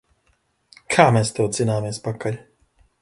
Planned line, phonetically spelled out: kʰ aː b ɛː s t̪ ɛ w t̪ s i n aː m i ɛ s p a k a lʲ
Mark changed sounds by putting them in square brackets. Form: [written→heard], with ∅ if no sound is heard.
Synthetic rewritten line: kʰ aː [b→m] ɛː s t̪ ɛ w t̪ [s→z] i n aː m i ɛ s p a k a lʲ